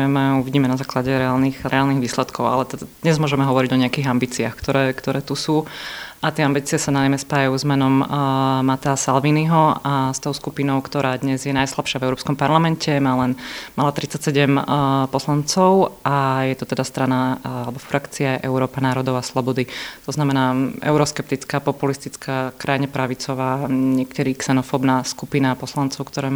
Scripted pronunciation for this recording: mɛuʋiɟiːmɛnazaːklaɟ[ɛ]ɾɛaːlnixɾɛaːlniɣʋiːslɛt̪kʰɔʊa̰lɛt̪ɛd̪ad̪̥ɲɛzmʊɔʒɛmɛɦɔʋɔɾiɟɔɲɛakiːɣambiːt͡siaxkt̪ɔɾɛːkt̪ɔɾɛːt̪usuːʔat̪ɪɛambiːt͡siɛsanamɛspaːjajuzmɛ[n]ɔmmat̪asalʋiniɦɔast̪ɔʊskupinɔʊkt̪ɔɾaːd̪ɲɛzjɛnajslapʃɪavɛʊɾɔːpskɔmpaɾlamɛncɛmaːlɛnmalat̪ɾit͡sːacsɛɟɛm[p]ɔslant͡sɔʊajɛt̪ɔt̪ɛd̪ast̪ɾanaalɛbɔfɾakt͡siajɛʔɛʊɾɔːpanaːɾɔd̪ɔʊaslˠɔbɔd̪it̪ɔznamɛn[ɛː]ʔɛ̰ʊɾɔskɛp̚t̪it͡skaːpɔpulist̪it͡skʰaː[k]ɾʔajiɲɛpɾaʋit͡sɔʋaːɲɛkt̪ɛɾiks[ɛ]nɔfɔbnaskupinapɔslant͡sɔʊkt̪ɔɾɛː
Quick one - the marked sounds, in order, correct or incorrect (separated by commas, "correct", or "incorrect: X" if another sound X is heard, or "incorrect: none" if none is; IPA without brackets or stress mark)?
correct, correct, correct, incorrect: aː, correct, correct